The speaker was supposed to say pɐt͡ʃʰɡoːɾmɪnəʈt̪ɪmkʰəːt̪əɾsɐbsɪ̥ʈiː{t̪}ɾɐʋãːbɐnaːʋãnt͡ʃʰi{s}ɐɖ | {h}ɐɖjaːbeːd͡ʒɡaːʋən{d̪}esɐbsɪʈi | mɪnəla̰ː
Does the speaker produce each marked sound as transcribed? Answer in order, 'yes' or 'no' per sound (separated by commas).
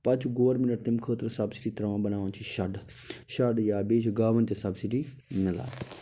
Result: yes, no, no, no